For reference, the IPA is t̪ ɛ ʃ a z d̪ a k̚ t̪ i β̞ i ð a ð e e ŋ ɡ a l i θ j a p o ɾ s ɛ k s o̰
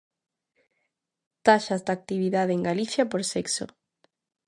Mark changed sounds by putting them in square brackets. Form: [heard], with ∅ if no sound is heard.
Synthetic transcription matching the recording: t̪ [a] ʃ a z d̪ a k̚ t̪ i β̞ i ð a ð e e ŋ ɡ a l i θ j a p o ɾ s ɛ k s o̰